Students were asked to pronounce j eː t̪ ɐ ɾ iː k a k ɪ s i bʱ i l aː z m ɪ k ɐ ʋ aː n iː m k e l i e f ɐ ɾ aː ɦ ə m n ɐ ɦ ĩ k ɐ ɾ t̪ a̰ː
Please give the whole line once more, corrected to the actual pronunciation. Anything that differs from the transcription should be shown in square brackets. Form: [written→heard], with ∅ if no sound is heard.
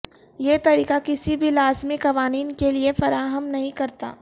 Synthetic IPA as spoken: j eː t̪ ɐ ɾ iː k a k ɪ s i bʱ i l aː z m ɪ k ɐ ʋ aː n iː [m→n] k e l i e f ɐ ɾ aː ɦ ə m n ɐ ɦ ĩ k ɐ ɾ t̪ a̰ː